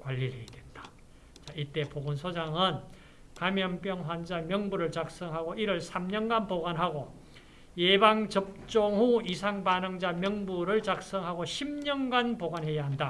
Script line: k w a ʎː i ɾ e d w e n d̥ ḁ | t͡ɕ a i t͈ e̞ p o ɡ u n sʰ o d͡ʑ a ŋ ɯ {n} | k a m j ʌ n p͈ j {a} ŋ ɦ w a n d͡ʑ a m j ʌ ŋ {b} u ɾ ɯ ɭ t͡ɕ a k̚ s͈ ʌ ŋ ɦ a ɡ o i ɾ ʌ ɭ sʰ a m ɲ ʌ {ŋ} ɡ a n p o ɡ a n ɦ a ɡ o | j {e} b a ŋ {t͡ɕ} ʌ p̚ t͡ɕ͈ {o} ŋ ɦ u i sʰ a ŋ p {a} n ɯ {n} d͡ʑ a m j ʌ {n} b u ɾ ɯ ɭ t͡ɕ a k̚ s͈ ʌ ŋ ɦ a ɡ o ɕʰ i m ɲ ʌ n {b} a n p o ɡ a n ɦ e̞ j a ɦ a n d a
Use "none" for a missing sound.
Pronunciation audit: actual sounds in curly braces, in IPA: n, ʌ, b, n, e, t͡ɕ, o, a, ŋ, ŋ, ɡ

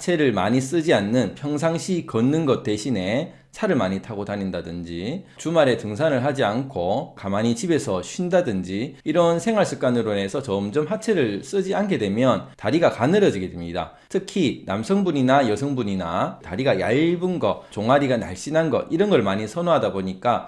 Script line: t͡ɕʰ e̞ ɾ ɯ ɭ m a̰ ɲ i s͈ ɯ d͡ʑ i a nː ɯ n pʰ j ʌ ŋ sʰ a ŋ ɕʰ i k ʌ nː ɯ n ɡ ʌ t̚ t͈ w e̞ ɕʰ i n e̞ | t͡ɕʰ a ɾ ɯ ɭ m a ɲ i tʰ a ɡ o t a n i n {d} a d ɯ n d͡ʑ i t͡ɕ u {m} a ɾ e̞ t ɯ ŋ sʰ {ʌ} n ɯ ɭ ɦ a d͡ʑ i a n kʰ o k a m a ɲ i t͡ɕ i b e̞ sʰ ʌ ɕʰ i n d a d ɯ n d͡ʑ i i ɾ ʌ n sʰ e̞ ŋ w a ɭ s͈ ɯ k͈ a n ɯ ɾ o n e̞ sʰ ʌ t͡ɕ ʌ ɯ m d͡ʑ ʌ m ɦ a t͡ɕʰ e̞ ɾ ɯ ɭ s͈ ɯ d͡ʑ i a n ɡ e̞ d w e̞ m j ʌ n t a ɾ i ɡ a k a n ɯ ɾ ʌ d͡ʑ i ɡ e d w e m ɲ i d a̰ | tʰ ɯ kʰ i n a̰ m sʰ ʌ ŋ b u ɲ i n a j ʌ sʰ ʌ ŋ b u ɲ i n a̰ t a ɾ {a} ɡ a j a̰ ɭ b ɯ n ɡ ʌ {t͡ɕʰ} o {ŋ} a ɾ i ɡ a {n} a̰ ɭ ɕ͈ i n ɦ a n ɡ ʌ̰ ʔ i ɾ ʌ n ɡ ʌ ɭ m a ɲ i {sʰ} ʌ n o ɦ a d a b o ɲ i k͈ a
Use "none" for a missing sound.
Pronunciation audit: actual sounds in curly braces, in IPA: d, m, a, i, t͡ɕ, ŋ, n, sʰ

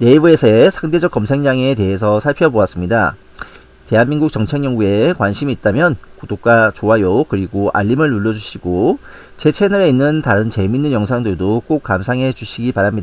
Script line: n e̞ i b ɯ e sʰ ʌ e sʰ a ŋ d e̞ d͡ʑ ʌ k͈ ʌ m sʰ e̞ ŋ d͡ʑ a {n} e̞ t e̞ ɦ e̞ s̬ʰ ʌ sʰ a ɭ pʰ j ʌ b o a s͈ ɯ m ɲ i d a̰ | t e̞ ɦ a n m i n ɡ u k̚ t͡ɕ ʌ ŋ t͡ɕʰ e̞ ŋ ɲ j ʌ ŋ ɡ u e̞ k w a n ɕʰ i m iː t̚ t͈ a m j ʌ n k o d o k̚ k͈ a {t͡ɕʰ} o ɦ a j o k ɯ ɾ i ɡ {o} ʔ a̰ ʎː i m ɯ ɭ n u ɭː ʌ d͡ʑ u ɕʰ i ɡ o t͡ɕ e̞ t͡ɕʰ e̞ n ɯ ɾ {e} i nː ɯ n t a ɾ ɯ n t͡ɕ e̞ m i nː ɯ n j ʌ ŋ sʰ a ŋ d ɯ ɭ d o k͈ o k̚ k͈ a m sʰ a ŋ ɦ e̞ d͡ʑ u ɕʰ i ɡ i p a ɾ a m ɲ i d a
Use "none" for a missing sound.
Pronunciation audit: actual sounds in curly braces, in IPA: ŋ, t͡ɕ, o, e

